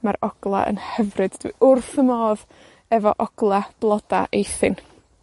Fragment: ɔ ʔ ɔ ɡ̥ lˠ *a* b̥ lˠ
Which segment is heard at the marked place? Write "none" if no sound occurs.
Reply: a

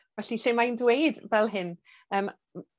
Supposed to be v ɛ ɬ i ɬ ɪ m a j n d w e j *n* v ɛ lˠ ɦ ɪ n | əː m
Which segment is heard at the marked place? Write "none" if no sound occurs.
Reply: d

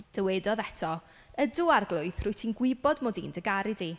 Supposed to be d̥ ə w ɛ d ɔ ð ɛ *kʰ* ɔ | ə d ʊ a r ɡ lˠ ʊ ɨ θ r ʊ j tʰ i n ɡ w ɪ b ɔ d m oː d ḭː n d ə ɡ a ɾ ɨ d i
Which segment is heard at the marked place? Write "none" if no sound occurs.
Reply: tʰ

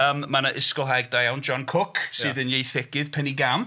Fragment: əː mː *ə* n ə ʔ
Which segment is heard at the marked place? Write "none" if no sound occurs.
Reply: a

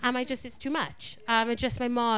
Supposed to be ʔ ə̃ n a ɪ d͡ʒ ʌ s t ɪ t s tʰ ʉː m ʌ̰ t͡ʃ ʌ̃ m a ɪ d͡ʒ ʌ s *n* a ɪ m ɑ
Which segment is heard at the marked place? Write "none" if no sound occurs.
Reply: m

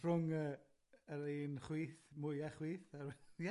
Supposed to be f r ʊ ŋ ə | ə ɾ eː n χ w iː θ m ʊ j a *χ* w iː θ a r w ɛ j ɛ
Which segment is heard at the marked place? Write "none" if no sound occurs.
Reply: χ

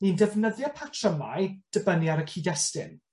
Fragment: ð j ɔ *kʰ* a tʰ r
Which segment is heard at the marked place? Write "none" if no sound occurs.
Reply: pʰ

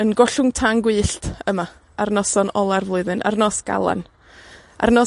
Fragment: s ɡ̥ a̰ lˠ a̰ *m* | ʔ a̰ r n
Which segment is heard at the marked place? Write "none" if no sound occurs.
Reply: n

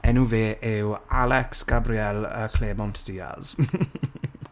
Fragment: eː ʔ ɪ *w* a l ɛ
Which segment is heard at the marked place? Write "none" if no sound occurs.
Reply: w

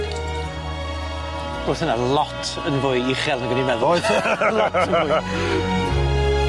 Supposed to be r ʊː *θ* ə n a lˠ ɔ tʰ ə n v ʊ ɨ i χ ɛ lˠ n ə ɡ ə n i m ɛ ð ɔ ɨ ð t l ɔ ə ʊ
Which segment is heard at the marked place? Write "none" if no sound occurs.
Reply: θ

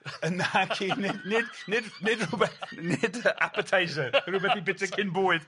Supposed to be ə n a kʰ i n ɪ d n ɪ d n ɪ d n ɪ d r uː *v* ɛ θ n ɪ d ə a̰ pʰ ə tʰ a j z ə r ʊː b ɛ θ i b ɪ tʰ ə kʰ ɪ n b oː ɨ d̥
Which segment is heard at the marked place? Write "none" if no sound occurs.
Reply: b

